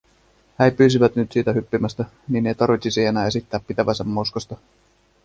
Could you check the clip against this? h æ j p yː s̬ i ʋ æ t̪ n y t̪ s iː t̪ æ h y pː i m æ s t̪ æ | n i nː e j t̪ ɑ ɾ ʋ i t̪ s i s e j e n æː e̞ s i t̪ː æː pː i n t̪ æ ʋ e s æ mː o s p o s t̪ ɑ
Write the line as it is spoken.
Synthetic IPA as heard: h æ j p yː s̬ i ʋ æ t̪ n y t̪ s iː t̪ æ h y pː i m æ s t̪ æ | n i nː e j t̪ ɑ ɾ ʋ i t̪ s i s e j e n æː e̞ s i t̪ː æː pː i t̪ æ ʋ æ s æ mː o s k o s t̪ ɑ